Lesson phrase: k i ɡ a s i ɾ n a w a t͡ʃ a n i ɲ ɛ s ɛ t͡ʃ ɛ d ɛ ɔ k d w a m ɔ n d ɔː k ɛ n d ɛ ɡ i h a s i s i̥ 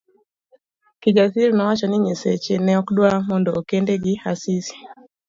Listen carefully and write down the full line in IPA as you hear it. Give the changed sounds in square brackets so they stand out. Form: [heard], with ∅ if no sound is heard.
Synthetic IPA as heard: k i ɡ a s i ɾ n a w a t͡ʃ a n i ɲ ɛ s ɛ t͡ʃ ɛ [n] ɛ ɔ k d w a m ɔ n d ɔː k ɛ n d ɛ ɡ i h a s i s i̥